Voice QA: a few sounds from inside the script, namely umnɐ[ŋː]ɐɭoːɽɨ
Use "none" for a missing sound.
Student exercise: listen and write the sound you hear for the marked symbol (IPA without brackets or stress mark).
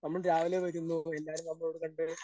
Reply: mː